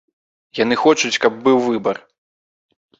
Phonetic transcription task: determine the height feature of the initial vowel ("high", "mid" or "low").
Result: low